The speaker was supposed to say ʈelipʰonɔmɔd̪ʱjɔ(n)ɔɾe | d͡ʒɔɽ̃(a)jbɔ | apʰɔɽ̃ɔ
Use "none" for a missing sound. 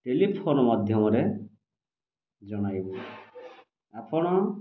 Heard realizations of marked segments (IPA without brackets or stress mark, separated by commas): m, a